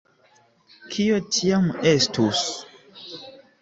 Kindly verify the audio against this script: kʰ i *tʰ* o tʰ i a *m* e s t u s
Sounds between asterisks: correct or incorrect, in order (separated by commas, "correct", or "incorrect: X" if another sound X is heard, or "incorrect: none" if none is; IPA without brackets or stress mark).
incorrect: none, correct